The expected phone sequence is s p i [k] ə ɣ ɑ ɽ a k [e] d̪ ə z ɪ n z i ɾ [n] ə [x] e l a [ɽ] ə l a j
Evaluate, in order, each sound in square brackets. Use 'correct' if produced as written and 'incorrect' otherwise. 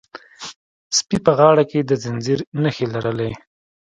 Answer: incorrect, correct, correct, correct, incorrect

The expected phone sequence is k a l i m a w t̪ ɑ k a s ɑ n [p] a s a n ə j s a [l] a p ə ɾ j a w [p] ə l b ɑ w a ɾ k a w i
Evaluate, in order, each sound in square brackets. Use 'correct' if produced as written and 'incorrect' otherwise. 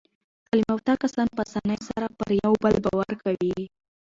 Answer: correct, incorrect, incorrect

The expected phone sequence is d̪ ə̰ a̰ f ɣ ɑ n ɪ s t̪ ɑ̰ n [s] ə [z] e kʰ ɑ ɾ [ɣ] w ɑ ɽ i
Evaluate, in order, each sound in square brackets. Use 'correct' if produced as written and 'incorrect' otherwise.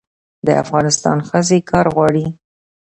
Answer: incorrect, correct, correct

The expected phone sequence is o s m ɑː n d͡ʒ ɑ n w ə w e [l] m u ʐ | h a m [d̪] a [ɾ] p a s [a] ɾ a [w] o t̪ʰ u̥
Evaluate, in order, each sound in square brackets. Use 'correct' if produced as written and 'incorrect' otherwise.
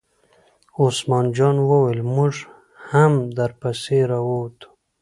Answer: correct, correct, correct, incorrect, correct

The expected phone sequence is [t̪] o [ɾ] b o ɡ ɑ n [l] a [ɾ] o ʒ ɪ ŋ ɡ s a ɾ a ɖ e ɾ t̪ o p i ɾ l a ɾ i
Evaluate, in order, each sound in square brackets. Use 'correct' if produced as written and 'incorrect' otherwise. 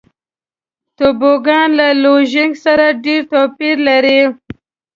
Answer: correct, incorrect, correct, incorrect

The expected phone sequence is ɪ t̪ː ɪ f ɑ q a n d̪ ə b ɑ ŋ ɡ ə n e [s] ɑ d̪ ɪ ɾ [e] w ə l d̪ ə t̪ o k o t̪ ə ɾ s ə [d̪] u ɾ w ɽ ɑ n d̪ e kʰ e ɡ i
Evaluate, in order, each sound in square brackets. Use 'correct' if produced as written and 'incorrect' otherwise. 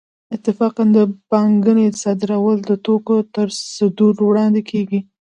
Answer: correct, incorrect, correct

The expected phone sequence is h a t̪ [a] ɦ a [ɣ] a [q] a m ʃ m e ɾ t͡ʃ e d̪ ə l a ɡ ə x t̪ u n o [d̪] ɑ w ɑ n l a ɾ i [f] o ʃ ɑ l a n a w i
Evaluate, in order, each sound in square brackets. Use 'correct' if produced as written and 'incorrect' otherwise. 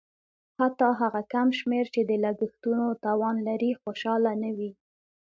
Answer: incorrect, correct, incorrect, incorrect, incorrect

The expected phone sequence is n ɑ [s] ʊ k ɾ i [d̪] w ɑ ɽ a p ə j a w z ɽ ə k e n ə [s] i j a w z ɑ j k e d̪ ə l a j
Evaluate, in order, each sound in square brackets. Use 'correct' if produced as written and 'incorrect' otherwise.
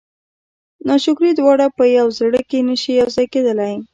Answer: incorrect, correct, incorrect

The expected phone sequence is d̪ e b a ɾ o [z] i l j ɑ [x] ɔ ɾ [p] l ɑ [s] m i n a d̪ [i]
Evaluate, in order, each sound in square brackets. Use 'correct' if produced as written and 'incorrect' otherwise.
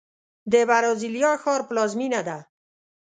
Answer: correct, correct, correct, incorrect, incorrect

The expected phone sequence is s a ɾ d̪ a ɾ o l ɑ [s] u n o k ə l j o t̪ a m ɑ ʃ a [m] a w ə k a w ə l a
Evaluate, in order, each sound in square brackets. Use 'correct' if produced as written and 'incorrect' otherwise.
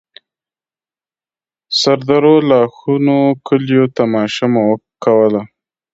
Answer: incorrect, correct

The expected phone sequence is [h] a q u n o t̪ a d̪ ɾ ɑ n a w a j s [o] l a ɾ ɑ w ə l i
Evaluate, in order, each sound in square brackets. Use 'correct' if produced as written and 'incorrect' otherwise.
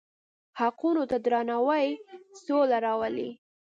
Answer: correct, correct

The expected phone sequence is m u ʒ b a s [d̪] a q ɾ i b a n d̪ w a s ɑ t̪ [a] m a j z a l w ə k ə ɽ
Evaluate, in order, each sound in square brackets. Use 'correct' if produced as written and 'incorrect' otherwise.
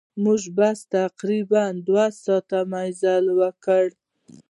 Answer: incorrect, correct

